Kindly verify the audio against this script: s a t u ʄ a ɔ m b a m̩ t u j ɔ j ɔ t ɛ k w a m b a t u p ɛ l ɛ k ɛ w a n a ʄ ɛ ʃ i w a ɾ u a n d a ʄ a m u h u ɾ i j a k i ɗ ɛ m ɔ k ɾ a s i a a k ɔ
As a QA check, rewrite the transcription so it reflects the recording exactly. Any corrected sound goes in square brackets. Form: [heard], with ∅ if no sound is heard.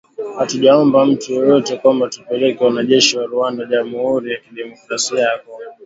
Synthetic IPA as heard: [h] a t u ʄ a ɔ m b a m̩ t u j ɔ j ɔ t ɛ k w a m b a t u p ɛ l ɛ k ɛ w a n a ʄ ɛ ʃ i w a ɾ u a n d a ʄ a m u h u ɾ i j a k i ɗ ɛ m ɔ k ɾ a s i a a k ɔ